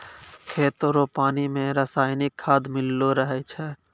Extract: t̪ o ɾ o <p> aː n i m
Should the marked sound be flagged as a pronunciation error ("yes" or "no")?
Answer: no